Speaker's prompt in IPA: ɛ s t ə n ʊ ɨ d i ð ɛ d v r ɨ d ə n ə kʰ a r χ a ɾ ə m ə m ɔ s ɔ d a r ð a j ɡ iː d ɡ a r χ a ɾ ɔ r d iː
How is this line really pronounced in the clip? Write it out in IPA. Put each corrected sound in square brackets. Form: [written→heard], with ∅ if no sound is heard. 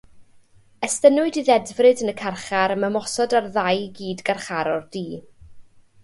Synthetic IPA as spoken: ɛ s t ə n ʊ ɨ d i ð ɛ d v r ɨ d ə n ə kʰ a r χ a ɾ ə m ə m ɔ s ɔ d a r ð a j ɡ iː d ɡ a r χ a ɾ ɔ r d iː